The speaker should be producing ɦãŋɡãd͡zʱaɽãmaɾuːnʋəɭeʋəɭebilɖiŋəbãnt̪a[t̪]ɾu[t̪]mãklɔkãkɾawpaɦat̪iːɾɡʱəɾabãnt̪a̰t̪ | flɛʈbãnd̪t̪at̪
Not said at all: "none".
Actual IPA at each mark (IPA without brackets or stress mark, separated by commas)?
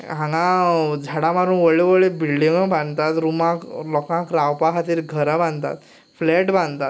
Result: t̪, none